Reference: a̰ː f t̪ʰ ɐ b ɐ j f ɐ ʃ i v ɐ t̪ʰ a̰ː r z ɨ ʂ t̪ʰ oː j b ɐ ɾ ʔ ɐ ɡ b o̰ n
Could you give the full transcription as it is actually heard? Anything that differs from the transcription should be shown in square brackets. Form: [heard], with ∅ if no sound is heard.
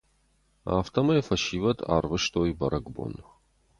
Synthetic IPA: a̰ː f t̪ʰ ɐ [m] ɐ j f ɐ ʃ i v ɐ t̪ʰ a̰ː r [v] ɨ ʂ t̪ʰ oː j b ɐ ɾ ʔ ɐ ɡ b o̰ n